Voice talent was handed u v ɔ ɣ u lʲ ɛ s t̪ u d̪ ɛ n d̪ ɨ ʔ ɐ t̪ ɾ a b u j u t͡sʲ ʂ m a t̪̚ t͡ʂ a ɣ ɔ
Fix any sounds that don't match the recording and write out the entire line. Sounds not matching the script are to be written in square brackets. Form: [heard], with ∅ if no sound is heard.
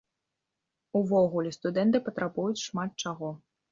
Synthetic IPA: u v ɔ ɣ u lʲ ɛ s t̪ u d̪ ɛ n [t̪] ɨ [p] ɐ t̪ ɾ a b u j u t͡sʲ ʂ m a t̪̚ t͡ʂ a ɣ ɔ